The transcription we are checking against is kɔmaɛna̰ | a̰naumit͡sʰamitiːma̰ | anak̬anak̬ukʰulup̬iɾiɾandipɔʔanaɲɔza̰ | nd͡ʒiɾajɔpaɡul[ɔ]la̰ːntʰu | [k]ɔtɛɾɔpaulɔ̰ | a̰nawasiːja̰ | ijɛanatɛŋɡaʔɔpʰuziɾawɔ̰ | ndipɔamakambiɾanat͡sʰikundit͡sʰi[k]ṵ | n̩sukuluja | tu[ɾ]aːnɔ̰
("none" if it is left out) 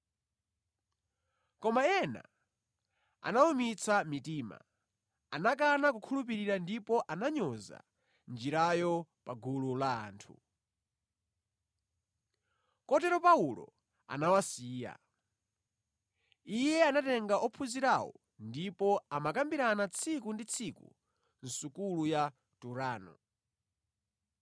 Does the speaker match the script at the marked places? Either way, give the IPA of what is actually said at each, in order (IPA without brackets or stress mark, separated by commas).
u, k, k, ɾ